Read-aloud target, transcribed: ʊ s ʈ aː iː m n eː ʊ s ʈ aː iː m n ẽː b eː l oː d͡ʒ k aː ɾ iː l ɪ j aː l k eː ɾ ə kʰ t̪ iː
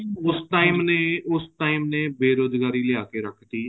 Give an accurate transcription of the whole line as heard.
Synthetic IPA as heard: ʊ s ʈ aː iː m n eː ʊ s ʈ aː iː m n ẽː b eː ɾ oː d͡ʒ ɡ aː ɾ iː l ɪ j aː k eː ɾ ə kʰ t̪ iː